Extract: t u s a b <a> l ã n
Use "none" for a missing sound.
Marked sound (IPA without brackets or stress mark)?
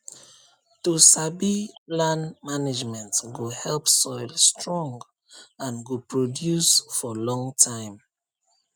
i